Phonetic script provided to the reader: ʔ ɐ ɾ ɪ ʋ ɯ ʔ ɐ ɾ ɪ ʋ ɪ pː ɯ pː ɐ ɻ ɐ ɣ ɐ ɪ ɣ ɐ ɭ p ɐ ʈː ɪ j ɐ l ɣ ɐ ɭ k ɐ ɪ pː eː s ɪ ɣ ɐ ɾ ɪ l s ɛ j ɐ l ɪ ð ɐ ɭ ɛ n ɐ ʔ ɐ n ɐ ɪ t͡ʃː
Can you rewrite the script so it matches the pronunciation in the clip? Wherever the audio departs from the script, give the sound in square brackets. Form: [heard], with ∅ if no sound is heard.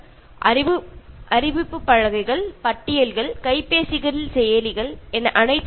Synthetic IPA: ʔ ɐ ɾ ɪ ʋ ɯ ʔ ɐ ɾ ɪ ʋ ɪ pː ɯ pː ɐ ɻ ɐ ɣ ɐ ɪ ɣ ɐ ɭ p ɐ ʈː ɪ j ɐ l ɣ ɐ ɭ k ɐ ɪ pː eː s ɪ ɣ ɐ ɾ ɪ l s ɛ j ɐ l ɪ [ɣ] ɐ ɭ ɛ n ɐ ʔ ɐ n ɐ ɪ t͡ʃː